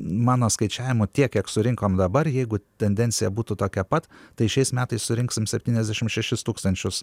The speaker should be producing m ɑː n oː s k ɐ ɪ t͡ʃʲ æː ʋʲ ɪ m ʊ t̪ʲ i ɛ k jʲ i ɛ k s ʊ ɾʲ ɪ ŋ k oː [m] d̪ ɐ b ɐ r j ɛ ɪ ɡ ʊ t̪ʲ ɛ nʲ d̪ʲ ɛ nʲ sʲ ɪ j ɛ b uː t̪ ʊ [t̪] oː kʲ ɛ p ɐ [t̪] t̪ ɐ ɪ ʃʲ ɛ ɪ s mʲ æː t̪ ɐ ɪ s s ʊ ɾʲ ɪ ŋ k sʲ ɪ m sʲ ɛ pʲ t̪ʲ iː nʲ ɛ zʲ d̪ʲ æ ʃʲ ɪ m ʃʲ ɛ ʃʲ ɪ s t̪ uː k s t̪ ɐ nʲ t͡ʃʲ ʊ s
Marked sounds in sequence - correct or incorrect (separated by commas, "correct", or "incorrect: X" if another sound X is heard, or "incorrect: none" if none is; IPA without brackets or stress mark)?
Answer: correct, correct, correct